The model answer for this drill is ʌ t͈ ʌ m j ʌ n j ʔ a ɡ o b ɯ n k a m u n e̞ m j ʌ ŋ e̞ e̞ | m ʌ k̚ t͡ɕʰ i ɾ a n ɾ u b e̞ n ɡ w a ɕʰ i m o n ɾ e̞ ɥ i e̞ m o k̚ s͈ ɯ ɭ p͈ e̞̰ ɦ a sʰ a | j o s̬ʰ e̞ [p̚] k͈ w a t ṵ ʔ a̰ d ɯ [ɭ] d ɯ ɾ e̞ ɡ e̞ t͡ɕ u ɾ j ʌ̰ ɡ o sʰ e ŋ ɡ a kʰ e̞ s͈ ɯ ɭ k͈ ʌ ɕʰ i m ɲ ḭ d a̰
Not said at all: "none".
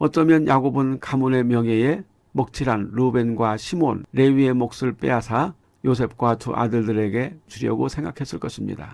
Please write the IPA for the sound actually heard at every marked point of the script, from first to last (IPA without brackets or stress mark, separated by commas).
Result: p̚, ɭ